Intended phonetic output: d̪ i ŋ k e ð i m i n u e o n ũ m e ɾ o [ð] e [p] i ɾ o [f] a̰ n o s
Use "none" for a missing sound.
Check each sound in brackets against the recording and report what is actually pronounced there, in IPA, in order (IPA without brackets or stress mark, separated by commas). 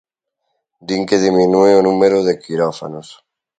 ð, k, f